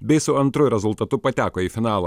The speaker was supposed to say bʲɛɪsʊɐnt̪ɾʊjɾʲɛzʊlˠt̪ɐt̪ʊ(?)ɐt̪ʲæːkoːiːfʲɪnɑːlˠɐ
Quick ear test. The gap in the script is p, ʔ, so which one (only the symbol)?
p